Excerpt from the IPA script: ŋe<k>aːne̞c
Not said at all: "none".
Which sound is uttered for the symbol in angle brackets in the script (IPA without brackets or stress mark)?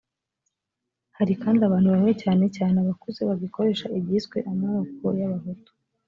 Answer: c